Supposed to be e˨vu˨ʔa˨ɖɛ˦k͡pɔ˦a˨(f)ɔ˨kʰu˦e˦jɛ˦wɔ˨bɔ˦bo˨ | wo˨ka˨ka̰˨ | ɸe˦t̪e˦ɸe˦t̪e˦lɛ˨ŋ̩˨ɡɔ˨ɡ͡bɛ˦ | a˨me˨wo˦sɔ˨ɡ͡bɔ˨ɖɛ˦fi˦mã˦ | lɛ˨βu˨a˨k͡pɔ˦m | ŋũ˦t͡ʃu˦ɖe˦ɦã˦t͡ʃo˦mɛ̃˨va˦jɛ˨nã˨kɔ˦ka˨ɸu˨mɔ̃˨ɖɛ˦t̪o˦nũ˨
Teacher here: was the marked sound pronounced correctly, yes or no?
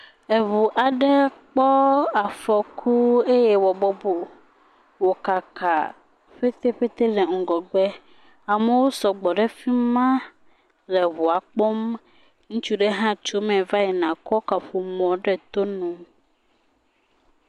yes